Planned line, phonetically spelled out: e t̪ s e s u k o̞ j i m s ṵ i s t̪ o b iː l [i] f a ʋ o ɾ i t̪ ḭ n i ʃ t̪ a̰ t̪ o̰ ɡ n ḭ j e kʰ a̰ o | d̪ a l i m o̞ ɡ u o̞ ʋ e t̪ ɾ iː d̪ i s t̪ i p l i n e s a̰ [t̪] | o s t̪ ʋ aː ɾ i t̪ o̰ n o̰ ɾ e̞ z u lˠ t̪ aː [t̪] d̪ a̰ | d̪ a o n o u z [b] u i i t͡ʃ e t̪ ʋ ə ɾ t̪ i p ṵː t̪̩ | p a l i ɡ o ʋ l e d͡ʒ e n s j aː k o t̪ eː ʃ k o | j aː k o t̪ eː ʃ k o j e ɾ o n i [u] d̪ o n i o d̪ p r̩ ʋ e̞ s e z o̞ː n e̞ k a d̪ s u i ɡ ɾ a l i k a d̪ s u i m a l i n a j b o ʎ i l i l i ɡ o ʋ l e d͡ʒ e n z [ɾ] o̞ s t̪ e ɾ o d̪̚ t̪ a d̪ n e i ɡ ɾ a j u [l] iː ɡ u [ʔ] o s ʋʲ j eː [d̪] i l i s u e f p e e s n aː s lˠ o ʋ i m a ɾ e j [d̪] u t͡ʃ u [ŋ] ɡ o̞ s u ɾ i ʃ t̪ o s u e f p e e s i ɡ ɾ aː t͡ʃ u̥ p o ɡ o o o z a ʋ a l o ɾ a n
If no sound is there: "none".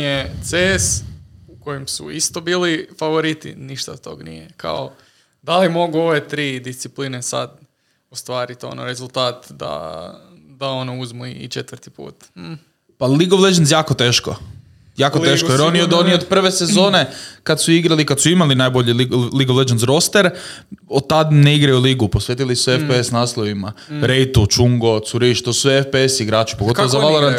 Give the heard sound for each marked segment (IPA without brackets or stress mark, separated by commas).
i, d̪, t̪, m, o, ɾ, l, p, t̪, t̪, ŋ